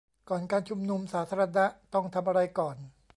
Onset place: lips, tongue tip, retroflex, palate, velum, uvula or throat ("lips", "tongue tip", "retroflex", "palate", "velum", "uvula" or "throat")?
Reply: velum